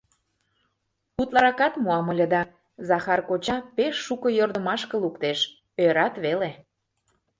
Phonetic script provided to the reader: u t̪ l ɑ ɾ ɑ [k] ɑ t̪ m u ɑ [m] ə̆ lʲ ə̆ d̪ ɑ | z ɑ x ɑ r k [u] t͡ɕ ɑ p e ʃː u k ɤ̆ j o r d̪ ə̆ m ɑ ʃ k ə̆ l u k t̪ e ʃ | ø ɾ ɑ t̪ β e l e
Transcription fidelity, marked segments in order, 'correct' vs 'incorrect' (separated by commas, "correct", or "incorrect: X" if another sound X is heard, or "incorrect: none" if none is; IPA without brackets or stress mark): correct, correct, incorrect: o